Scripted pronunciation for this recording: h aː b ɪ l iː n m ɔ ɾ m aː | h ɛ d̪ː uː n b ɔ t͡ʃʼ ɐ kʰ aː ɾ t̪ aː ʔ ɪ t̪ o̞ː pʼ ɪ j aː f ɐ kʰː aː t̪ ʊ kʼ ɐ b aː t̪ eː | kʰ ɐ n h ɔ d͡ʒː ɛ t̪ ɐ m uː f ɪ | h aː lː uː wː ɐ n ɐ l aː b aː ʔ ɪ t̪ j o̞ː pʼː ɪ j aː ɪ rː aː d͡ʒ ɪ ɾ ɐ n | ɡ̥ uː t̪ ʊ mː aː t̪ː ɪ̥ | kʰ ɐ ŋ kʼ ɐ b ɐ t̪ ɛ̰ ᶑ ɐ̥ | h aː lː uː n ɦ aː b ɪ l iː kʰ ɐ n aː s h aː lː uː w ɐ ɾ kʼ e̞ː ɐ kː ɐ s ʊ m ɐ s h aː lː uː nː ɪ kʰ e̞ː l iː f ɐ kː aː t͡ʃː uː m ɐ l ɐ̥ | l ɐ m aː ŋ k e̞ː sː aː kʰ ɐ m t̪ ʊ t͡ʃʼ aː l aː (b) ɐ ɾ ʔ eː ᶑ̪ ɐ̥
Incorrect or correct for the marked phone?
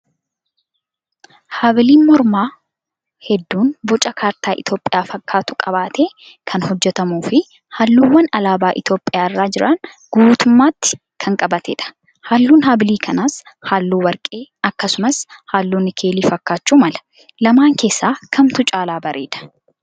correct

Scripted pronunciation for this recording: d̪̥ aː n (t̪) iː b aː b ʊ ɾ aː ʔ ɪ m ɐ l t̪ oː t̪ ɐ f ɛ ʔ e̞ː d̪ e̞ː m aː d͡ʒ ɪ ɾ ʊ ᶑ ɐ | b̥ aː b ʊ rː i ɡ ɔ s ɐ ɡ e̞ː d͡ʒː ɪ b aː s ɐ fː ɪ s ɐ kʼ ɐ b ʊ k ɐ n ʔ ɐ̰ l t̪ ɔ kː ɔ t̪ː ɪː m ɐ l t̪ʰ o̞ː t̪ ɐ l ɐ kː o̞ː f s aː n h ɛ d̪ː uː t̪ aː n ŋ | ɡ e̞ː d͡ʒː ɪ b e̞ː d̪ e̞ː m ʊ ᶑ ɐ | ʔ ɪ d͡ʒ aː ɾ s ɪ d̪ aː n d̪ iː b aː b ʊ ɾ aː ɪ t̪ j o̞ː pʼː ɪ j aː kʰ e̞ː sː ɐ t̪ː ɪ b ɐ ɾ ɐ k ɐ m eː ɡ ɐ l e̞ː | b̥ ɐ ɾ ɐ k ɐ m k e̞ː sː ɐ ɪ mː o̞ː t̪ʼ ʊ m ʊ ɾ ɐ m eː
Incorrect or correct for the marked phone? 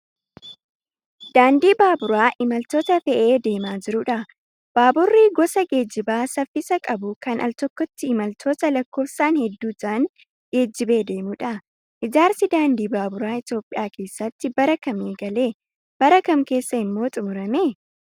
incorrect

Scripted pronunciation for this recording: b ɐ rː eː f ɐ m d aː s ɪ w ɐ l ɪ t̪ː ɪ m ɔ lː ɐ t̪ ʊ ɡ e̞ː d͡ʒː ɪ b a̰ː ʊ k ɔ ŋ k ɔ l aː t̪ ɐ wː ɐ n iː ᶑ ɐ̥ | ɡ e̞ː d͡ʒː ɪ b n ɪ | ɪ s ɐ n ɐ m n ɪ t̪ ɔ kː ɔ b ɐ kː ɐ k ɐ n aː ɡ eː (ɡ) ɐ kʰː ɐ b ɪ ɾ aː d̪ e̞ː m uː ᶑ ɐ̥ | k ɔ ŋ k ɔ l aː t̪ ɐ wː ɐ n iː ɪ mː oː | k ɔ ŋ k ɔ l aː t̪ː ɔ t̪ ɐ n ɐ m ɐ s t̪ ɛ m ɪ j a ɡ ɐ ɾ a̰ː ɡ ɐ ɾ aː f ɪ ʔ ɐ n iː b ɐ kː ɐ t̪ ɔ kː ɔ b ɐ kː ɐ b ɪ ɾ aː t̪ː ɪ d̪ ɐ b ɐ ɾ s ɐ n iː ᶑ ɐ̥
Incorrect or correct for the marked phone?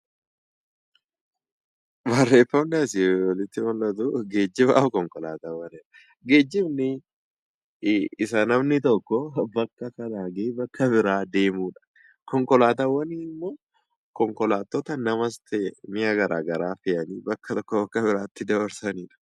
incorrect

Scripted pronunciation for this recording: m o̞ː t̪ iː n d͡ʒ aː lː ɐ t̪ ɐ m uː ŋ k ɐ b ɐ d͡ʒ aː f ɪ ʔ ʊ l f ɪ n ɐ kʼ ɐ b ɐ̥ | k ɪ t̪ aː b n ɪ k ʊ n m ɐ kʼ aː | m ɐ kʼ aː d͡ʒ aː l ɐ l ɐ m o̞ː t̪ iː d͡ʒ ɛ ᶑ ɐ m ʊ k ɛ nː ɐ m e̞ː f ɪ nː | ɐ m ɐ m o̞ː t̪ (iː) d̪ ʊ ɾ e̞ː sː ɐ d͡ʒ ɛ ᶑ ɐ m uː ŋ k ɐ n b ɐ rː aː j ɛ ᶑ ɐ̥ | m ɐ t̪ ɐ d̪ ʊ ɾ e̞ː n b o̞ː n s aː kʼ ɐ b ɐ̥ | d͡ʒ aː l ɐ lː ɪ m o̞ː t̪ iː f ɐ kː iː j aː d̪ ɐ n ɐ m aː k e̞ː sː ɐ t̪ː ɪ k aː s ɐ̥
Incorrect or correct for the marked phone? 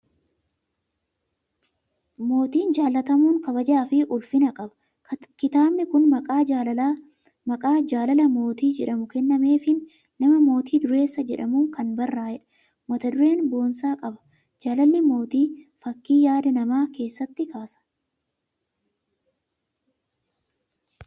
correct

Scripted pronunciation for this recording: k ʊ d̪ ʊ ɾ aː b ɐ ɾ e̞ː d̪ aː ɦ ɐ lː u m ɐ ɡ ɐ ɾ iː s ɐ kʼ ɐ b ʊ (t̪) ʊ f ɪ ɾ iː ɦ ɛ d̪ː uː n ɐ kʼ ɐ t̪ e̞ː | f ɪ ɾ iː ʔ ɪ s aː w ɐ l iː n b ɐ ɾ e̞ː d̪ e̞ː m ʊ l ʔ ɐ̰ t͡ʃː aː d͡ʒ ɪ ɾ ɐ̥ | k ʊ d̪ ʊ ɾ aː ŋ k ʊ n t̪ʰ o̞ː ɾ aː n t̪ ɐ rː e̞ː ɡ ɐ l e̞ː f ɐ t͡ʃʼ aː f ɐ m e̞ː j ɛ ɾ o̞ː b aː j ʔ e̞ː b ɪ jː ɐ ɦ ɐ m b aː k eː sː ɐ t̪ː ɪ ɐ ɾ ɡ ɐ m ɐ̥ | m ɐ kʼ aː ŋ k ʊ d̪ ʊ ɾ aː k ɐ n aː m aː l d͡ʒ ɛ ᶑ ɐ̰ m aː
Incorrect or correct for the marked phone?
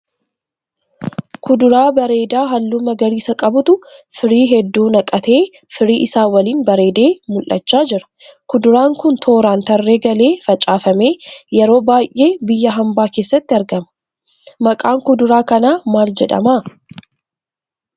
correct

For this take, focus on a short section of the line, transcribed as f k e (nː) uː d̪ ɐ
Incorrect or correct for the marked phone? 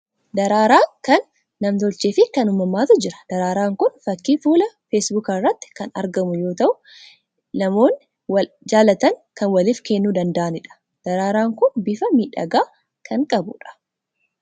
correct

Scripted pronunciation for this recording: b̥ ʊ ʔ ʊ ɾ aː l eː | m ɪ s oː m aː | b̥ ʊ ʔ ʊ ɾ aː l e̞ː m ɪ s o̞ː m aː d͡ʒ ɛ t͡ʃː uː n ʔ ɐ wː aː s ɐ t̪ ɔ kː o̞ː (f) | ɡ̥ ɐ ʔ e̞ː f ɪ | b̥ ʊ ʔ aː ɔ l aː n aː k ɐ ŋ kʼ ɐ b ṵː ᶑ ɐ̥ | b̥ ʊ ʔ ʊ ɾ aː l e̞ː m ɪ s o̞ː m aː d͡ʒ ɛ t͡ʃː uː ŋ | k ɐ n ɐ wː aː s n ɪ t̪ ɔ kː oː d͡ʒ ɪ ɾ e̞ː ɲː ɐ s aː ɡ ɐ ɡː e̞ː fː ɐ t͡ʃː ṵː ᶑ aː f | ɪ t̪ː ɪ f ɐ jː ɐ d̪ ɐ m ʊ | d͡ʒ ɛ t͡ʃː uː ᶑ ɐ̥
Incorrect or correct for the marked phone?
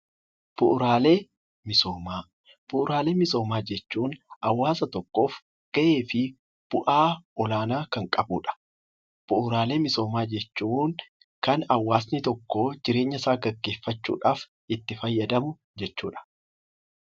correct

